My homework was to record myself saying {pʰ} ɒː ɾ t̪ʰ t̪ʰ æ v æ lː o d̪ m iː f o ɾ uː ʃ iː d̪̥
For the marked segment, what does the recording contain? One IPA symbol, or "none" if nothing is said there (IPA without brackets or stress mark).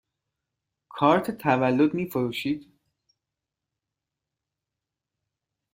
kʰ